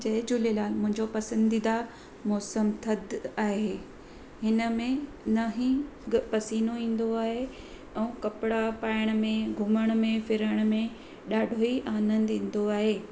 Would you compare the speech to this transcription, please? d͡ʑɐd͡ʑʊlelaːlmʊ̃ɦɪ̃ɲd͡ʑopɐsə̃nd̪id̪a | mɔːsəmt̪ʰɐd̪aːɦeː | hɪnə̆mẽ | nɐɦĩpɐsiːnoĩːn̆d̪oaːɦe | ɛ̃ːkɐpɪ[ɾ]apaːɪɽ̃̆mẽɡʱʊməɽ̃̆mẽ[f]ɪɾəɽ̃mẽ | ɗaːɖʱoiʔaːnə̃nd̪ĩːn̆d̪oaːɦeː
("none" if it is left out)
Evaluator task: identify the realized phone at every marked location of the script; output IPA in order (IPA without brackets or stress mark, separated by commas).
ɽ, f